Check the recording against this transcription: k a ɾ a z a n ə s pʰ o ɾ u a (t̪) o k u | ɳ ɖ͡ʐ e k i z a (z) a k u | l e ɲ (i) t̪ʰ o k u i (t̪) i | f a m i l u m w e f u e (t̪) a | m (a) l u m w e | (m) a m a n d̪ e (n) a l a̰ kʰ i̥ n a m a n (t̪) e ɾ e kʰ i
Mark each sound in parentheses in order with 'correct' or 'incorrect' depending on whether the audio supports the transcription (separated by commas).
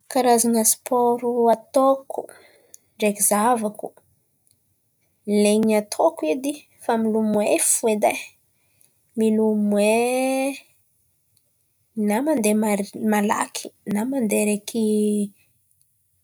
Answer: correct, incorrect, incorrect, incorrect, incorrect, incorrect, incorrect, incorrect, incorrect